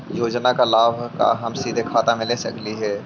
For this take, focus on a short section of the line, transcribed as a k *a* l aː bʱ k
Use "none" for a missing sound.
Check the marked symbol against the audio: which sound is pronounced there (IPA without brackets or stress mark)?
a